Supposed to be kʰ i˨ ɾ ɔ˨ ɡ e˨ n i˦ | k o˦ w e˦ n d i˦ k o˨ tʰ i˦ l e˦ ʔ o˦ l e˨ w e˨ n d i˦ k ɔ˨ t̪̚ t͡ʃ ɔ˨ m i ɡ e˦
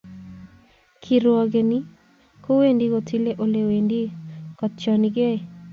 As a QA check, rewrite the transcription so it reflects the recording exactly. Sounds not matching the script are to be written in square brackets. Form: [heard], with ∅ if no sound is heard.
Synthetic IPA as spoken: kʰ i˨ ɾ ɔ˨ ɡ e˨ n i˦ | k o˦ w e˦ n d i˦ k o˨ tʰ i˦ l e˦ ʔ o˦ l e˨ w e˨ n d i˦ k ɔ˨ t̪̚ t͡ʃ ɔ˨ [n] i ɡ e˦

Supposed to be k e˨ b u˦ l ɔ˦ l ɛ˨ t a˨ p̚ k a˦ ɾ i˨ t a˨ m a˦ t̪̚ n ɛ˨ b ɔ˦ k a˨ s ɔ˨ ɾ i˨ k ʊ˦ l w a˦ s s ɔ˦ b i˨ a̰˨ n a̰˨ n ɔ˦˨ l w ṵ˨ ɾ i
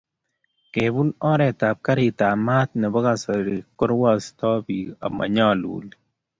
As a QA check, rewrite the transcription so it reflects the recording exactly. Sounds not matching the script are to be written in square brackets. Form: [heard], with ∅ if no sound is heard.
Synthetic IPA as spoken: k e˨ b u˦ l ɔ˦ [ɾ] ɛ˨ t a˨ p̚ k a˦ ɾ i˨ t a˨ m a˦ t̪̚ n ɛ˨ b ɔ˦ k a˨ s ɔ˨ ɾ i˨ k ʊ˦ [ɾ] w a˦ s [t] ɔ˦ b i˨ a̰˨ [m] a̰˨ [ɲ] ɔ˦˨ l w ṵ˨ [l] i

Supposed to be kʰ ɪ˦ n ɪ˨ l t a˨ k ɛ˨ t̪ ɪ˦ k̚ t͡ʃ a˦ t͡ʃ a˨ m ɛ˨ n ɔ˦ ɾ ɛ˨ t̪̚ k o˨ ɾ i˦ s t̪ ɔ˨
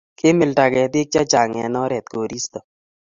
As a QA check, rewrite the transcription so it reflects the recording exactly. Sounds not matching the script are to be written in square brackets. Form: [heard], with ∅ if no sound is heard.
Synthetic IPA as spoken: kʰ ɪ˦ [m] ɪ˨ l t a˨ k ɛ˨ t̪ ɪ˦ k̚ t͡ʃ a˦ t͡ʃ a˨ [ŋ] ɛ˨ n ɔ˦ ɾ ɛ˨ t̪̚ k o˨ ɾ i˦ s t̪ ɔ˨

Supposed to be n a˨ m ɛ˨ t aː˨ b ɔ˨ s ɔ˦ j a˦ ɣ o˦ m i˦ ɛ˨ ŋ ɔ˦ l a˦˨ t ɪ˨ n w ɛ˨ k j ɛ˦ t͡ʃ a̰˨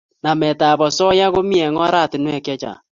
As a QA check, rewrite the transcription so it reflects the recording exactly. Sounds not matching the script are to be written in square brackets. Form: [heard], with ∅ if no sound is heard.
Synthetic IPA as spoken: n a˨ m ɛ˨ t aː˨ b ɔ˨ s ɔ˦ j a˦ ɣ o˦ m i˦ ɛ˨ ŋ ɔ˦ [ɾ] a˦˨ t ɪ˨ n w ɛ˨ k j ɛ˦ t͡ʃ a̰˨

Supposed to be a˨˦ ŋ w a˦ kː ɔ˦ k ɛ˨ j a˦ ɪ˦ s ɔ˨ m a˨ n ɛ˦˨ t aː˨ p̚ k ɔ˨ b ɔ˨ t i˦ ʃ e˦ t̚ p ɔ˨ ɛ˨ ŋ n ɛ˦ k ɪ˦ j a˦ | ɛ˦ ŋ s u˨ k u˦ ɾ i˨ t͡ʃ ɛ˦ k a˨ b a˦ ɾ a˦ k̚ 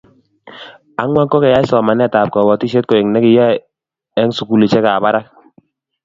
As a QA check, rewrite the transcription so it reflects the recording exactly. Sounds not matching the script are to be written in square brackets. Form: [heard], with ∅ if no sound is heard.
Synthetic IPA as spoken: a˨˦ ŋ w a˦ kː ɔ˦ k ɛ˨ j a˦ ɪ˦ s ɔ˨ m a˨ n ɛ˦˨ t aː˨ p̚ k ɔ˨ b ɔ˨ t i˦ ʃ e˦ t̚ [k] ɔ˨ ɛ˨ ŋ n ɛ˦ k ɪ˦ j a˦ | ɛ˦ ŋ s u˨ k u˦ [l] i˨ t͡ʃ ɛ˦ k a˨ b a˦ ɾ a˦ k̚

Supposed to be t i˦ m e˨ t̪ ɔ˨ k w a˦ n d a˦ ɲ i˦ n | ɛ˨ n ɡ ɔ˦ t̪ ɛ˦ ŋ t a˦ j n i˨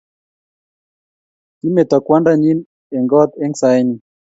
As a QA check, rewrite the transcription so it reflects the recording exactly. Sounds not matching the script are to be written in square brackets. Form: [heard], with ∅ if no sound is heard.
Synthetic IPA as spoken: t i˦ m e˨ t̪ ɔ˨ k w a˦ n d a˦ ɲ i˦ n | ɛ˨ [ŋ] ɡ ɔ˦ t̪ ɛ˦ ŋ [s] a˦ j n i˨

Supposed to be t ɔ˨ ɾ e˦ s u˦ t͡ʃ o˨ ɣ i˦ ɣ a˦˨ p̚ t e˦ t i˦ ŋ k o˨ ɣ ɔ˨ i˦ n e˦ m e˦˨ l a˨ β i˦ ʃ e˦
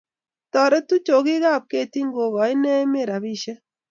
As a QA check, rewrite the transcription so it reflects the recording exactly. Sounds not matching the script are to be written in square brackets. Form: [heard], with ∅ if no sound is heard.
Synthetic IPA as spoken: t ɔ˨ ɾ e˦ [t] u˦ t͡ʃ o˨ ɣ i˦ ɣ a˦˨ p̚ [k] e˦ t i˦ ŋ [ɡ] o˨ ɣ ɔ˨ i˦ n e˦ m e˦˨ [ɾ] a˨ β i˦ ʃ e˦

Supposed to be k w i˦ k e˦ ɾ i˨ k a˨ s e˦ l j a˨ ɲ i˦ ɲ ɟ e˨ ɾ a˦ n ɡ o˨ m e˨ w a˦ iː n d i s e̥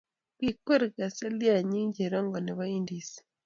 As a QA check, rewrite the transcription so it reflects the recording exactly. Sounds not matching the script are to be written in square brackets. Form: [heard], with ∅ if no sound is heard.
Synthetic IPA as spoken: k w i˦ k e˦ ɾ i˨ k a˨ s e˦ l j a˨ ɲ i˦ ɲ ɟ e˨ ɾ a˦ [ŋ] ɡ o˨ [n] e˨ [β] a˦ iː n d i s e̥

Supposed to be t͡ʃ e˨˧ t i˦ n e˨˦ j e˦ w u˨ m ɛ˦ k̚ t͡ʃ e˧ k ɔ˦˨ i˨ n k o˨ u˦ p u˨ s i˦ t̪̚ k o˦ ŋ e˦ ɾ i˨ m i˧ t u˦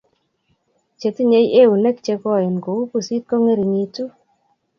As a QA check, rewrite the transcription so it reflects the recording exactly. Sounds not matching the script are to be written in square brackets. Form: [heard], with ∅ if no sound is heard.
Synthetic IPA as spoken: t͡ʃ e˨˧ t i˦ [ɲ] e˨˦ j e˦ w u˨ [n] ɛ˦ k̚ t͡ʃ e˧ k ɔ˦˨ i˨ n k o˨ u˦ p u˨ s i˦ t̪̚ k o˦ ŋ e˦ ɾ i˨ [ɲ] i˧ t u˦

